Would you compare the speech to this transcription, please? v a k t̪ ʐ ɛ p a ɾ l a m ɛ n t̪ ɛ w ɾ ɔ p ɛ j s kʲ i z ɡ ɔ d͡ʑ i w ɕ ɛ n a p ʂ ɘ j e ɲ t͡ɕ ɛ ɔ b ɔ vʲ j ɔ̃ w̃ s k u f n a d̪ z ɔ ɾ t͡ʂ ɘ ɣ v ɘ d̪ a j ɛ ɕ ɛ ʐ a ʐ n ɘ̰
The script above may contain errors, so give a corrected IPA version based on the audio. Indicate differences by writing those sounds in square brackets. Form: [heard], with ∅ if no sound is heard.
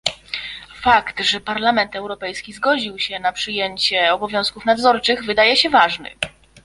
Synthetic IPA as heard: [f] a k t̪ ʐ ɛ p a ɾ l a m ɛ n t̪ ɛ w ɾ ɔ p ɛ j s kʲ i z ɡ ɔ d͡ʑ i w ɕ ɛ n a p ʂ ɘ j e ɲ t͡ɕ ɛ ɔ b ɔ vʲ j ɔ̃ w̃ s k u f n a d̪ z ɔ ɾ t͡ʂ ɘ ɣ v ɘ d̪ a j ɛ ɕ ɛ [v] a ʐ n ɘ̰